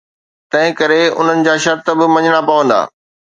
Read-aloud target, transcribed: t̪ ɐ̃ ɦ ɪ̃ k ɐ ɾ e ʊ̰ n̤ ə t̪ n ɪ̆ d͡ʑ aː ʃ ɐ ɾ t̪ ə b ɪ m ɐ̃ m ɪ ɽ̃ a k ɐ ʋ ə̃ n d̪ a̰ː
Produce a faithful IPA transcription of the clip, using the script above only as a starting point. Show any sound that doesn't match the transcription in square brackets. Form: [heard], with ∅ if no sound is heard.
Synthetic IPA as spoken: t̪ ɐ̃ ɦ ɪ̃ k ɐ ɾ e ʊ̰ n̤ ə [∅] n ɪ̆ d͡ʑ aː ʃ ɐ ɾ t̪ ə b ɪ m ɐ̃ [ɲ] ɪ ɽ̃ a [p] ɐ ʋ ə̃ n d̪ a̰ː